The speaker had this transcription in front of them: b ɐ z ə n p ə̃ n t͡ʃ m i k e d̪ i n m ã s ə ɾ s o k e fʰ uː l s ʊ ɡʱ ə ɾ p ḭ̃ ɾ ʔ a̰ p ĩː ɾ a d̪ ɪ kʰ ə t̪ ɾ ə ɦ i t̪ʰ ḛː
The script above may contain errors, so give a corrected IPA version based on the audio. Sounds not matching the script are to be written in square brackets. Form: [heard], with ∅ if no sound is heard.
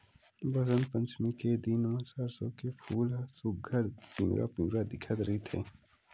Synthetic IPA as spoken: b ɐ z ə n p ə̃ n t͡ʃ m i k e d̪ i n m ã s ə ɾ s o k e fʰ uː l s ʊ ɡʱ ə ɾ p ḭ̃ ɾ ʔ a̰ p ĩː ɾ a d̪ ɪ kʰ ə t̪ ɾ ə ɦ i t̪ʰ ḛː